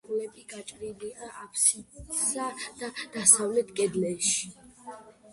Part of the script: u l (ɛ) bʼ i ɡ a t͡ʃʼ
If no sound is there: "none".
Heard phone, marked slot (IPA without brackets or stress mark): ɛ